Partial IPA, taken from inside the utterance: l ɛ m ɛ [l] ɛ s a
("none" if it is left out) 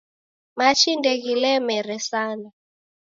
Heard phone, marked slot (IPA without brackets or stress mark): ɾ